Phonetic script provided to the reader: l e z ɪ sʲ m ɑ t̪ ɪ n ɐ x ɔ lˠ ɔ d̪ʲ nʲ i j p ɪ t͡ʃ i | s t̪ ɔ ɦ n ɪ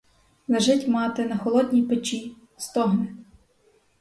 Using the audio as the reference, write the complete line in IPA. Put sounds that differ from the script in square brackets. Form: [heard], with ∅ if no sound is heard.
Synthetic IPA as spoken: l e [ʒ] ɪ [tʲ] m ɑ t̪ ɪ n ɐ x ɔ lˠ ɔ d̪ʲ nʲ i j p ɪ t͡ʃ i | s t̪ ɔ ɦ n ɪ